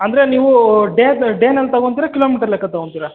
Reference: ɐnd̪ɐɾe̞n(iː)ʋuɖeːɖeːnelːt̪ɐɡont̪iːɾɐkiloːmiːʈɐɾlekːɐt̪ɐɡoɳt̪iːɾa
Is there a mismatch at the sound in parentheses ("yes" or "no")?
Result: no